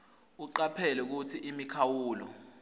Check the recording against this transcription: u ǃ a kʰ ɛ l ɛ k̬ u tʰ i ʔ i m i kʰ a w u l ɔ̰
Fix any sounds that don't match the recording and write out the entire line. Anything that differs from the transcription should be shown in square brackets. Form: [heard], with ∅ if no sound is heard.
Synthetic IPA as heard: u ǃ a [pʰ] ɛ l ɛ k̬ u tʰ i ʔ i m i kʰ a w [uː] l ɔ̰